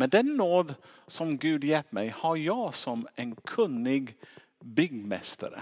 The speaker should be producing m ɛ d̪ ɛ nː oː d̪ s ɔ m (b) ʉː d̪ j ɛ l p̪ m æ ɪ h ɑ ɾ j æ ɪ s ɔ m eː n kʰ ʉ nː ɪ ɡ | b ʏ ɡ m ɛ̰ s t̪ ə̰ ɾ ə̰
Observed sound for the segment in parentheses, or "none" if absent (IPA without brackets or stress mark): ɡ